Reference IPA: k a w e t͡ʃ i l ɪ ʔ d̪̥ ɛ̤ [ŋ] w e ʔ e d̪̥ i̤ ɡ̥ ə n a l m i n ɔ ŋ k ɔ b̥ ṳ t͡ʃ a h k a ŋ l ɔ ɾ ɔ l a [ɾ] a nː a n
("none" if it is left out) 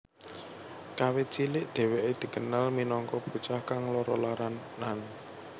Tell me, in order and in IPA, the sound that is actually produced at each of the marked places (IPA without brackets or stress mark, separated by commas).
none, ɾ